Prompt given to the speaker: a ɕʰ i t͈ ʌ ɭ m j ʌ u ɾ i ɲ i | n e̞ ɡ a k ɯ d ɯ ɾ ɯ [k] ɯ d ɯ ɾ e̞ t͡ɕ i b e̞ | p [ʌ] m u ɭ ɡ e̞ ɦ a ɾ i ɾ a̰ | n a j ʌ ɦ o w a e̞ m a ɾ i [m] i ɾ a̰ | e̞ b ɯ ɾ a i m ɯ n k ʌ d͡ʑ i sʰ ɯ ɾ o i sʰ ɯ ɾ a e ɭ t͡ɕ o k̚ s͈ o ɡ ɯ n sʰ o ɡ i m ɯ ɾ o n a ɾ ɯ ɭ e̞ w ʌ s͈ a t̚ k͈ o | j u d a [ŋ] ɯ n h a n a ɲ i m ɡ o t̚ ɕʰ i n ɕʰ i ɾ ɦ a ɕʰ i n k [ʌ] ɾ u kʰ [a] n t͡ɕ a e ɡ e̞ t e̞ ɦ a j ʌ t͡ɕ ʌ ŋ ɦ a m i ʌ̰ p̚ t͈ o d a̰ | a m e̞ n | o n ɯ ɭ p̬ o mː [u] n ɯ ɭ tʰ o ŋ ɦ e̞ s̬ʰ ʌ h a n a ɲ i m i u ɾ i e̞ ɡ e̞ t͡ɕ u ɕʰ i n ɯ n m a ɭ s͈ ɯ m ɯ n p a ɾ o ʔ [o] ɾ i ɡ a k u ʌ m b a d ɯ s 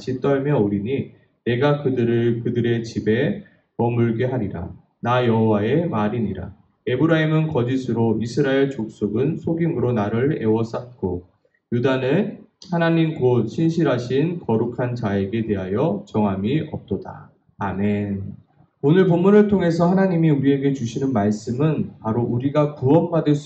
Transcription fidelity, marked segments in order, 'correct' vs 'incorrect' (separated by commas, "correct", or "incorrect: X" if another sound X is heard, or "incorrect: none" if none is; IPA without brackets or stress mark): correct, correct, incorrect: ɲ, incorrect: n, correct, correct, correct, incorrect: u